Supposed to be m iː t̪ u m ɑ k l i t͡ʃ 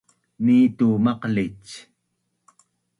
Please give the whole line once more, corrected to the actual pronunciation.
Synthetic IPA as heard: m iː t̪ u m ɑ q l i t͡ʃ